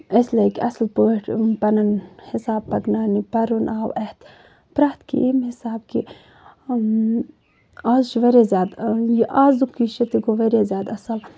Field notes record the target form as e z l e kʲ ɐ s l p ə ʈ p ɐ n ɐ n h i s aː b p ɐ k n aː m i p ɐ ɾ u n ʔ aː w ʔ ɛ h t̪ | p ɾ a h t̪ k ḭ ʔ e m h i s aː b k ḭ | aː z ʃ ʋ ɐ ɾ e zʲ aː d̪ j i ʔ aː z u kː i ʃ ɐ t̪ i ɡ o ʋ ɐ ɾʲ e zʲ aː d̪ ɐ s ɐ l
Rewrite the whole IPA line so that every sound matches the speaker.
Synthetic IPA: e s l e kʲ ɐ s l p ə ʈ p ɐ n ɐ n h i s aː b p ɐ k n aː n i p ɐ ɾ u n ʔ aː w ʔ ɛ h t̪ | p ɾ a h t̪ k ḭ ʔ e m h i s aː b k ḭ | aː z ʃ ʋ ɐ ɾ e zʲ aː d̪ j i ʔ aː z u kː i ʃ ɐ t̪ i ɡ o ʋ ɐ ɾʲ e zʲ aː d̪ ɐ s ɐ l